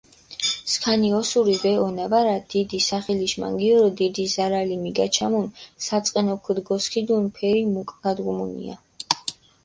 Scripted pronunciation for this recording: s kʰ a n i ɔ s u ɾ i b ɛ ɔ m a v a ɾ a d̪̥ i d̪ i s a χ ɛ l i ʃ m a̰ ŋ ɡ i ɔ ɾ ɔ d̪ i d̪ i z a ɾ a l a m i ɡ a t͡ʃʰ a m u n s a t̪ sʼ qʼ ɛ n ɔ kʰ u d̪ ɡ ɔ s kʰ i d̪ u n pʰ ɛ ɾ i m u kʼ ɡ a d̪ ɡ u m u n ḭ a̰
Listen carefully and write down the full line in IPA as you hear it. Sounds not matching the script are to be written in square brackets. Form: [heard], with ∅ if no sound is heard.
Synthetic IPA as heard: s kʰ a n i ɔ s u ɾ i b ɛ ɔ [n] a v a ɾ a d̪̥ i d̪ i s a χ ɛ l i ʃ m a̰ ŋ ɡ i ɔ ɾ ɔ d̪ i d̪ i z a ɾ a l [i] m i ɡ a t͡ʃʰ a m u n s a t̪ sʼ qʼ ɛ n ɔ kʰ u d̪ ɡ ɔ s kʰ i d̪ u n pʰ ɛ ɾ i m u kʼ ɡ a d̪ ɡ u m u n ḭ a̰